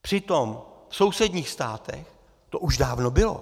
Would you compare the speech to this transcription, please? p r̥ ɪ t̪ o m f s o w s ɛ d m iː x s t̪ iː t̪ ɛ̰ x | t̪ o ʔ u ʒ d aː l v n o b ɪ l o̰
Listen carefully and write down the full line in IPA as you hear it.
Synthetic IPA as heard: p r̥ ɪ t̪ o m f s o w s ɛ d ɲ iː x s t̪ aː t̪ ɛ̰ x | t̪ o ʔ u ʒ d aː v n o b ɪ l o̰